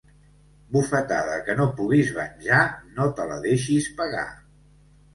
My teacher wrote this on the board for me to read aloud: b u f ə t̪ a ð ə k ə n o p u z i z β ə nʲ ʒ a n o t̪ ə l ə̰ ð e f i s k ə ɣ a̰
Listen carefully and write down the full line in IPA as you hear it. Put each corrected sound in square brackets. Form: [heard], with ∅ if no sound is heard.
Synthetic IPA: b u f ə t̪ a ð ə k ə n o p u [ɣ] i z β ə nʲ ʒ a n o t̪ ə l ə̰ ð e [ʃ] i s [p] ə ɣ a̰